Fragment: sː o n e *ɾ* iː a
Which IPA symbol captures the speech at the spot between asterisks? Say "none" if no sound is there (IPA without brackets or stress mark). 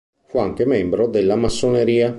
ɾ